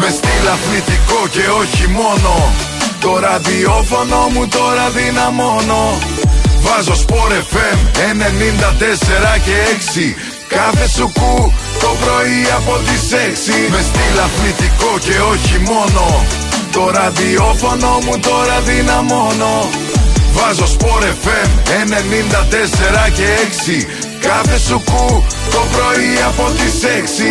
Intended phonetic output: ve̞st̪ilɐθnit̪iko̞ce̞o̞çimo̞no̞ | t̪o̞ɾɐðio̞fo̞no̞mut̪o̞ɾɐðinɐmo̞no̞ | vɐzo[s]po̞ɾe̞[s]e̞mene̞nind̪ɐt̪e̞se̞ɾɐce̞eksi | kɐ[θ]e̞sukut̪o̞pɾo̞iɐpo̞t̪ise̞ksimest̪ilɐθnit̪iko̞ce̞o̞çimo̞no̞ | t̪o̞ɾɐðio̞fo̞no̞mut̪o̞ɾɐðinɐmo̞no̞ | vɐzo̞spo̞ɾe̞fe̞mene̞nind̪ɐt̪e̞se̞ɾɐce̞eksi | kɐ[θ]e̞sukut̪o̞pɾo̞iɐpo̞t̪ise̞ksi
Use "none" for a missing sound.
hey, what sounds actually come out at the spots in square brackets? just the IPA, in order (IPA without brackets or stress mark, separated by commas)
s, f, θ, θ